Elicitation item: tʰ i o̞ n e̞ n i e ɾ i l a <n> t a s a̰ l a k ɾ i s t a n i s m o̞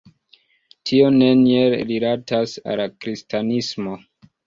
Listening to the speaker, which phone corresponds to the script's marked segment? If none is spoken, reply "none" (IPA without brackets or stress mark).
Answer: none